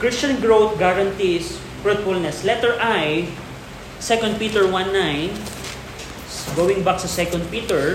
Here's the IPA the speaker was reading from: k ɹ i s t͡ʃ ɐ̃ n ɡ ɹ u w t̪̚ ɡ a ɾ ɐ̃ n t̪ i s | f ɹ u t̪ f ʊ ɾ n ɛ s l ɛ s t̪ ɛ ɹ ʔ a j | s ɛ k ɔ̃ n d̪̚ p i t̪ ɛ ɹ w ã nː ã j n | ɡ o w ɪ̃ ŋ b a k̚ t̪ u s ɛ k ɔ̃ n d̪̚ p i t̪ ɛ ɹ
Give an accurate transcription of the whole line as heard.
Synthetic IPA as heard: k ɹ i s t͡ʃ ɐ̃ n ɡ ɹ o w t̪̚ ɡ a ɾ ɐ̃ n t̪ i s | f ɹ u t̪ f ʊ l n ɛ s l ɛ t̪ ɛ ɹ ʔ a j | s ɛ k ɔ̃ n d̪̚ p i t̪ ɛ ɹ w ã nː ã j n | ɡ o w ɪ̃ ŋ b a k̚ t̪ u s ɛ k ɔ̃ n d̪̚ p i t̪ ɛ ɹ